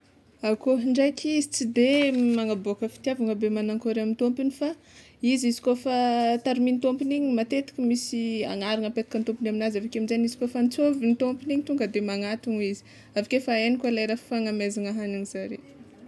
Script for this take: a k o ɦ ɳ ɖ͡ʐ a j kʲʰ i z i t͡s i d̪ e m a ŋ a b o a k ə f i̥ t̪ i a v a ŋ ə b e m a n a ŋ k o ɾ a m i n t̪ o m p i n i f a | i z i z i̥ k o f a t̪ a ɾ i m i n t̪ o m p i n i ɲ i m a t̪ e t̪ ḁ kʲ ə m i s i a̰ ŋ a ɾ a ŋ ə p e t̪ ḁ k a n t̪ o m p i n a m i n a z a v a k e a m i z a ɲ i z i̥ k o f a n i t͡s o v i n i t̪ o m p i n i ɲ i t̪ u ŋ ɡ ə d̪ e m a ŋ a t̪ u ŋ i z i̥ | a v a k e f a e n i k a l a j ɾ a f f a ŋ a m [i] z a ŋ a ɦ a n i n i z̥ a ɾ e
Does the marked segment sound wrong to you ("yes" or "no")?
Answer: yes